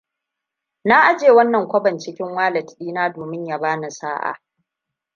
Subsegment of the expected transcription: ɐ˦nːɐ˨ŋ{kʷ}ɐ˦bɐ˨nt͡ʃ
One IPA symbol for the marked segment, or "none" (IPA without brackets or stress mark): kʷ